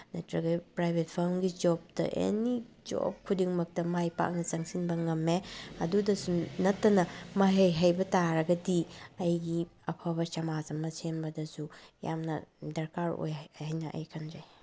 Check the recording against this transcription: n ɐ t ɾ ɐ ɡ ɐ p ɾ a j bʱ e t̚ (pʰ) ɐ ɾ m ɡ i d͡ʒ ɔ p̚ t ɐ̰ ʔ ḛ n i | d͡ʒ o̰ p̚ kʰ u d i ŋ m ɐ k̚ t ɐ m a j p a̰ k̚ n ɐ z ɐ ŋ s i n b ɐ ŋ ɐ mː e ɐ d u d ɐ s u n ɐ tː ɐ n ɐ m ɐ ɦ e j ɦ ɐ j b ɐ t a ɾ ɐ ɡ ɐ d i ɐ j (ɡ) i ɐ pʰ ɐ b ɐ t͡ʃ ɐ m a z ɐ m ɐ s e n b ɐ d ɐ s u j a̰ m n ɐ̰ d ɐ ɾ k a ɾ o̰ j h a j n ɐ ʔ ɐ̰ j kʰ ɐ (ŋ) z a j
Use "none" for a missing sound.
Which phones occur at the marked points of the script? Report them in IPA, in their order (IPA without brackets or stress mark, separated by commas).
pʰ, ɡ, n